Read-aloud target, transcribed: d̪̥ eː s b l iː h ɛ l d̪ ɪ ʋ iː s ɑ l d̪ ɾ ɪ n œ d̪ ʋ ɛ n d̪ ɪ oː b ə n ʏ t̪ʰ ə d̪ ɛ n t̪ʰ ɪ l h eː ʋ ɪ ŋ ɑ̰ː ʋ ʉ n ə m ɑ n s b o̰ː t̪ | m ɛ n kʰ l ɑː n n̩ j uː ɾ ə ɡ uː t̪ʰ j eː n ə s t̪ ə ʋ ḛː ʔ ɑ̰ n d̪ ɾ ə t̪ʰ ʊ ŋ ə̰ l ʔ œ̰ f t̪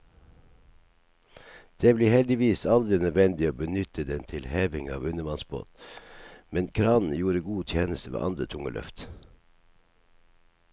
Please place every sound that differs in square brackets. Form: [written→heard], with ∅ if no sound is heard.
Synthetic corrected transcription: d̪̥ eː [s→∅] b l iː h ɛ l d̪ ɪ ʋ iː s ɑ l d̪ ɾ ɪ n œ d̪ ʋ ɛ n d̪ ɪ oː b ə n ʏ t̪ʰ ə d̪ ɛ n t̪ʰ ɪ l h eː ʋ ɪ ŋ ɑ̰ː ʋ ʉ n ə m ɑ n s b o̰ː t̪ | m ɛ n kʰ [l→ɾ] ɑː n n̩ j uː ɾ ə ɡ uː t̪ʰ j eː n ə s t̪ ə ʋ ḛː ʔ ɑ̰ n d̪ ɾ ə t̪ʰ ʊ ŋ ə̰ l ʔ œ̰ f t̪